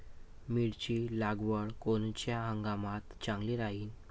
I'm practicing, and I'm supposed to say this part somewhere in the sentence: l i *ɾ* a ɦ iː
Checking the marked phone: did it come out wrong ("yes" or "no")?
no